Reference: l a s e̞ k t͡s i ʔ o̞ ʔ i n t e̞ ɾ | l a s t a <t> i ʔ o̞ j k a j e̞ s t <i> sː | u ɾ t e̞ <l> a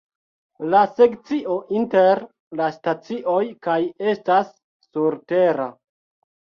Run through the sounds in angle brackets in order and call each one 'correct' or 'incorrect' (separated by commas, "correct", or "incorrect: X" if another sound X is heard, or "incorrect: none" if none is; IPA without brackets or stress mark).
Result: incorrect: t͡s, incorrect: a, incorrect: ɾ